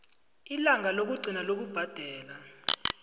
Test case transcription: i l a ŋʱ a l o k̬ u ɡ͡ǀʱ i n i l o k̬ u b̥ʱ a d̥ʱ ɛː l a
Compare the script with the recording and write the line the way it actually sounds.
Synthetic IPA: i l a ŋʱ a l o k̬ u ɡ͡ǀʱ i n a l o k̬ u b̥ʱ a d̥ʱ ɛː l a